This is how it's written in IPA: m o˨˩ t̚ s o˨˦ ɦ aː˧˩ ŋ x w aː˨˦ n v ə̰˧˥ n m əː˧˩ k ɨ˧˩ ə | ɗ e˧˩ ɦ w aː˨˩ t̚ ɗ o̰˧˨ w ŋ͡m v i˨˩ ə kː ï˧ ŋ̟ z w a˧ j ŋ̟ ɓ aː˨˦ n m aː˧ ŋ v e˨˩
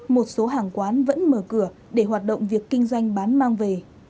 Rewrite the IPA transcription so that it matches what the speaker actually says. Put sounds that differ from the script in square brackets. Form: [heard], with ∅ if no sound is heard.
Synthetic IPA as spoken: m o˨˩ t̚ s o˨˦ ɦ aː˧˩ ŋ [k] w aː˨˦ n v ə̰˧˥ n m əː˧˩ k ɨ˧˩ ə | ɗ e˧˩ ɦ w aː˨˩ t̚ ɗ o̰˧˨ w ŋ͡m v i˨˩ ə kː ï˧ ŋ̟ z w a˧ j ŋ̟ ɓ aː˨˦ n m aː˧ ŋ v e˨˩